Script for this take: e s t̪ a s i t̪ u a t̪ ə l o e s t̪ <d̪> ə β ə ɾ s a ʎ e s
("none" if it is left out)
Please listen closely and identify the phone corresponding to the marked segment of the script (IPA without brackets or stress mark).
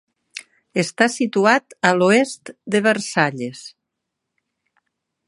d̪